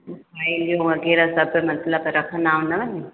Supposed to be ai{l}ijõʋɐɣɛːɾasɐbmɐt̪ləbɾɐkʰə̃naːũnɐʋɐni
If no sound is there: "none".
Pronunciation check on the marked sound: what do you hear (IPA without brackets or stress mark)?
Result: l